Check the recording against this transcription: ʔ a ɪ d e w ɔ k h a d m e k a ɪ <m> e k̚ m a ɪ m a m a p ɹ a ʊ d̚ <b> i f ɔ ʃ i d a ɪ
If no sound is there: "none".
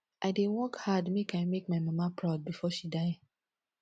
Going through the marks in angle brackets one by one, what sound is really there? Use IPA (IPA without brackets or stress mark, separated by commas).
m, b